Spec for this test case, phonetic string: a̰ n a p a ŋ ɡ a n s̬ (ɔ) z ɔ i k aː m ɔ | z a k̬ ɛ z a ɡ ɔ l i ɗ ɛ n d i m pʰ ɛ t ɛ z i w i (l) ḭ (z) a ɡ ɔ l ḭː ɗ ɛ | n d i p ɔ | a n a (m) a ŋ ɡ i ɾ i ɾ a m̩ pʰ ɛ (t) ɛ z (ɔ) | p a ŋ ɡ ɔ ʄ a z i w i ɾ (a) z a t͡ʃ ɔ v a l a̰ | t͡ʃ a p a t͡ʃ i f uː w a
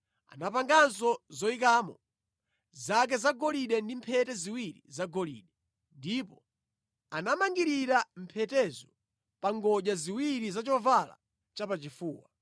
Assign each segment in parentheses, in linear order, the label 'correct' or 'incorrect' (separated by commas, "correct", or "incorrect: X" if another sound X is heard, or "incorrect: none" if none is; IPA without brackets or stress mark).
correct, incorrect: ɾ, correct, correct, correct, correct, incorrect: i